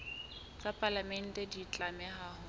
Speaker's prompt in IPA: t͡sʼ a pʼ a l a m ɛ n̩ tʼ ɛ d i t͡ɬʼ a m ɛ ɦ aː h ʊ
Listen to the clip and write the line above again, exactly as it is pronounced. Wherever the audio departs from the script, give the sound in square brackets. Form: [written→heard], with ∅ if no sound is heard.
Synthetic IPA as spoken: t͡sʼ a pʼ a l a m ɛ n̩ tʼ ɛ d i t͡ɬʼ a m ɛ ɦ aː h ʊ